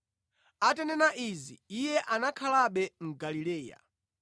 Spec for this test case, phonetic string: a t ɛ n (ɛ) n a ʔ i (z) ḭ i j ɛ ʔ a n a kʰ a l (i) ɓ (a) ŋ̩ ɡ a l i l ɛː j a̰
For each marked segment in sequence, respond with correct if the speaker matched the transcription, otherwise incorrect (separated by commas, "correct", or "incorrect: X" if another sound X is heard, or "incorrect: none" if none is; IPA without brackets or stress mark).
correct, correct, incorrect: a, incorrect: ɛ